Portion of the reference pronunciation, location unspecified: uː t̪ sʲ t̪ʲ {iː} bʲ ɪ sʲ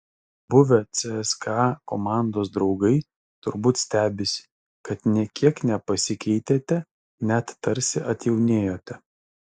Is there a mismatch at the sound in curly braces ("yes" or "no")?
yes